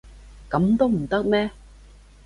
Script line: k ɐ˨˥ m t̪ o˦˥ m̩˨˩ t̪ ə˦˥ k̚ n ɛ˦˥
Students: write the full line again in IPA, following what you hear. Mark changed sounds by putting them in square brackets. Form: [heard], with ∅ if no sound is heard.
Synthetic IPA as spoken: k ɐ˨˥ m t̪ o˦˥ m̩˨˩ t̪ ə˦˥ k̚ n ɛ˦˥